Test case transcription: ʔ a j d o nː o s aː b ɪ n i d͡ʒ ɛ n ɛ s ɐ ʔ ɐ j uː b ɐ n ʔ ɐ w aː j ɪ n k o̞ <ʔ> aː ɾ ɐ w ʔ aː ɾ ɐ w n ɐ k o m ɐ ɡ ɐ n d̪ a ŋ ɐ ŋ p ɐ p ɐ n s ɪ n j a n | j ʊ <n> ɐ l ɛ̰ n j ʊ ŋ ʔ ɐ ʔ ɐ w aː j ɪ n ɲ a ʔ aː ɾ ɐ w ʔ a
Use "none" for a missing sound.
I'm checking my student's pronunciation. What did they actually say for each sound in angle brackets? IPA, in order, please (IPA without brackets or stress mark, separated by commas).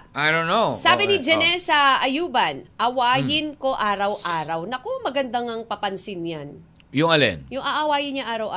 ʔ, ŋ